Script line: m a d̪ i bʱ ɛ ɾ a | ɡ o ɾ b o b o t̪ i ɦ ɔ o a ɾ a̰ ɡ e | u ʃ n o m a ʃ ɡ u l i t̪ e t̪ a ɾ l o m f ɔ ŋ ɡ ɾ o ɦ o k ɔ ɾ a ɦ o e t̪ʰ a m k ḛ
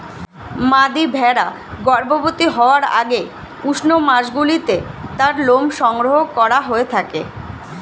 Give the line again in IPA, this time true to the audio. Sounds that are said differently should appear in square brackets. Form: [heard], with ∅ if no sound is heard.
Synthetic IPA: m a d̪ i bʱ ɛ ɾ a | ɡ [ɔ] ɾ b o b o t̪ i ɦ ɔ o a ɾ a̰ ɡ e | u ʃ n o m a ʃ ɡ u l i t̪ e t̪ a ɾ l o m [ʃ] ɔ ŋ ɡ ɾ o ɦ o k ɔ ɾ a ɦ o e t̪ʰ a [∅] k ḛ